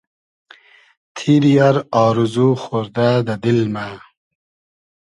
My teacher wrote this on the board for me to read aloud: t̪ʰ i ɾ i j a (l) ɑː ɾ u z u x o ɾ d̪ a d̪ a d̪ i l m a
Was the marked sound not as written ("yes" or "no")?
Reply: yes